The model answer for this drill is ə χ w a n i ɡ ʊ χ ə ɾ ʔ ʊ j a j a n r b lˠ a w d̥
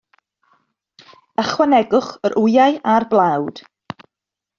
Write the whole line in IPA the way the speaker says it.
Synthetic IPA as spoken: ə χ w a n ɛ ɡ ʊ χ ə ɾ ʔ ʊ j a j a r b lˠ a w d̥